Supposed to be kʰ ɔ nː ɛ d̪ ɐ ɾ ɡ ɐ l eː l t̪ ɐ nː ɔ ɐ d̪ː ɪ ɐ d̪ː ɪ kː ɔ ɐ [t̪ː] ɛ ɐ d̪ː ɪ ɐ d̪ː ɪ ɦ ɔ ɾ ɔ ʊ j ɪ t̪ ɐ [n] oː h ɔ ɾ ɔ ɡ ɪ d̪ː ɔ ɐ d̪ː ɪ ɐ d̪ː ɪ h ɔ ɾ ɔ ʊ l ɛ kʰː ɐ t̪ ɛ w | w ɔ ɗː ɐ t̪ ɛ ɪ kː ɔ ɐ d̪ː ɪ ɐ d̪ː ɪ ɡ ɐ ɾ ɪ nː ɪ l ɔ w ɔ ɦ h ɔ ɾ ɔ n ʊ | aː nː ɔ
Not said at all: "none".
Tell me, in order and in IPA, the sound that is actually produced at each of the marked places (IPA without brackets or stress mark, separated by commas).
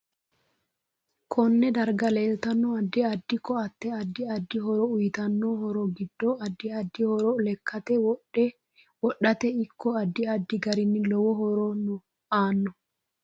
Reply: t̪ː, nː